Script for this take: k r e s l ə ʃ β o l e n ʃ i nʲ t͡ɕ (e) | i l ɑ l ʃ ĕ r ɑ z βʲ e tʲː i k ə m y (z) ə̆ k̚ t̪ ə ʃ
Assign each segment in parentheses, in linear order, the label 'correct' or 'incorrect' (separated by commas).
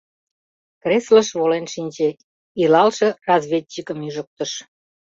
correct, incorrect